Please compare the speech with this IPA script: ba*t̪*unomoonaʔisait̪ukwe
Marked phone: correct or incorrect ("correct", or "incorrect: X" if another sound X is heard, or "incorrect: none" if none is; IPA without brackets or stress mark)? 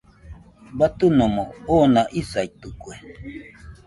correct